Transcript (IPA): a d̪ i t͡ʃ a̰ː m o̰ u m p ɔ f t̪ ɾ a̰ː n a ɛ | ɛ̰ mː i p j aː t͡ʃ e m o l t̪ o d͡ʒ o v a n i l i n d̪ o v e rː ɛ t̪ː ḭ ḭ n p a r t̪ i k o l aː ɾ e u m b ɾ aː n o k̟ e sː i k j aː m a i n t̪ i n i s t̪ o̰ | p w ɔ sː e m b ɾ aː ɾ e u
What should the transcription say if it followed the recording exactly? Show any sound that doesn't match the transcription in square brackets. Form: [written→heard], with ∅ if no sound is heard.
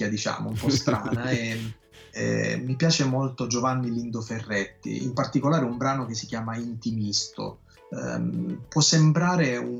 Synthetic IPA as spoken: a d̪ i t͡ʃ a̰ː m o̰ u m p ɔ [f→s] t̪ ɾ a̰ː n a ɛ | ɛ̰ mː i p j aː t͡ʃ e m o l t̪ o d͡ʒ o v a [n→nː] i l i n d̪ o [v→f] e rː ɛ t̪ː ḭ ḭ [n→m] p a r t̪ i k o l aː ɾ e u m b ɾ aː n o k̟ e sː i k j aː m a i n t̪ i [n→m] i s t̪ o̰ | p w ɔ sː e m b ɾ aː ɾ e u